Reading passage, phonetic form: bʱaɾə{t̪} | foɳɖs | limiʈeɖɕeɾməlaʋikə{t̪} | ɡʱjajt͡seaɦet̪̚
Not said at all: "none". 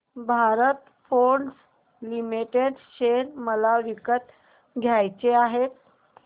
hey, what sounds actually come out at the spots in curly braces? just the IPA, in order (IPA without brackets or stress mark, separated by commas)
t̪, t̪